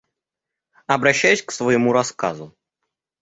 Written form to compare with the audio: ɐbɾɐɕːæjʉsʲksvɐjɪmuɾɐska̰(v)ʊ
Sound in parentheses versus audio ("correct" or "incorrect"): incorrect